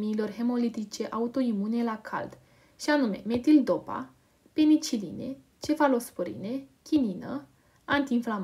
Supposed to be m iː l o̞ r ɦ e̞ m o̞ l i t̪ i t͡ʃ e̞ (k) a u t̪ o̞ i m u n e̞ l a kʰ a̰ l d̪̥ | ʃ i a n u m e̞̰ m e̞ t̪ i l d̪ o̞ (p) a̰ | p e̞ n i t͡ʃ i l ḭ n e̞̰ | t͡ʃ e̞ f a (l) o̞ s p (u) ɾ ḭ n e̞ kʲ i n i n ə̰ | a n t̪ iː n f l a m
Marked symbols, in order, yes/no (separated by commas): no, yes, yes, no